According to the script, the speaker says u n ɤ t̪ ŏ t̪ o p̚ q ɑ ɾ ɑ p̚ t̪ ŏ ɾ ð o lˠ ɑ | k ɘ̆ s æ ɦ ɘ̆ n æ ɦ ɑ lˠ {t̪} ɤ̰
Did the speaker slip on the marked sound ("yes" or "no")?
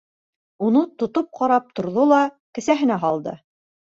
yes